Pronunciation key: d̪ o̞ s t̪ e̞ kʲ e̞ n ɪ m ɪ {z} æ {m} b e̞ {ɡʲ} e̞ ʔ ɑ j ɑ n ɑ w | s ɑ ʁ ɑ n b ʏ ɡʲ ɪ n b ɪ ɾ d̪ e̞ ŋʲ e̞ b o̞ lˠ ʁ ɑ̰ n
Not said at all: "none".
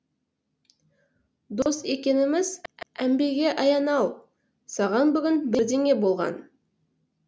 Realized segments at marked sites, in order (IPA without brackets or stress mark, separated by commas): z, m, ɡʲ